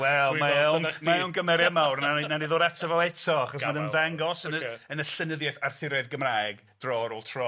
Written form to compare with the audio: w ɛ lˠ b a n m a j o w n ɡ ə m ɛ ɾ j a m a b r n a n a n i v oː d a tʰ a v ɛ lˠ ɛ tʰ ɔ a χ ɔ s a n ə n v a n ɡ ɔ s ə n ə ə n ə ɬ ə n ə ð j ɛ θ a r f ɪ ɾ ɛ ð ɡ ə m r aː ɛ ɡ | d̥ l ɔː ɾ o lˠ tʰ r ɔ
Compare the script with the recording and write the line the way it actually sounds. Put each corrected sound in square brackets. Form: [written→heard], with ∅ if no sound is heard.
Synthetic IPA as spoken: w ɛ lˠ [b→m] a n m a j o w n ɡ ə m ɛ ɾ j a m a [b→w] r n a n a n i [v→ð] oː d a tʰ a v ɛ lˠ ɛ tʰ ɔ a χ ɔ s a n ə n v a [n→ŋ] ɡ ɔ s ə n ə ə n ə ɬ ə n ə ð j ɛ θ a r [f→θ] ɪ ɾ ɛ ð ɡ ə m r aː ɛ ɡ | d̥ [l→r] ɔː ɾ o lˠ tʰ r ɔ